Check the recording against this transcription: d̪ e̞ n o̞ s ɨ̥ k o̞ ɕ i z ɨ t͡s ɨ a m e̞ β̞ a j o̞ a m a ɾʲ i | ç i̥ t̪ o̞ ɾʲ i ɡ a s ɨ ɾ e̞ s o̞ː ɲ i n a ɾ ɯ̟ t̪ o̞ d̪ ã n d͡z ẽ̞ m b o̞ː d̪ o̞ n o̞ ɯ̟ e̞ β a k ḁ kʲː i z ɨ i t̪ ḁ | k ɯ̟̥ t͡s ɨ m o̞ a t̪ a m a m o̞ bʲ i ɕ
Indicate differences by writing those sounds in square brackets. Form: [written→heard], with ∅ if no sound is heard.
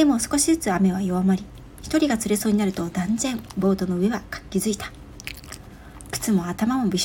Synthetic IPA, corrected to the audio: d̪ e̞ [n→m] o̞ s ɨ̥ k o̞ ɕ i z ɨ t͡s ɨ a m e̞ β̞ a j o̞ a m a ɾʲ i | ç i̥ t̪ o̞ ɾʲ i ɡ a [s→t͡s] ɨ ɾ e̞ s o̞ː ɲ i n a ɾ ɯ̟ t̪ o̞ d̪ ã n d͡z ẽ̞ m b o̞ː [d̪→t̪] o̞ n o̞ ɯ̟ e̞ β a k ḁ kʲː i z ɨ i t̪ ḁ | k ɯ̟̥ t͡s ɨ m o̞ a t̪ a m a m o̞ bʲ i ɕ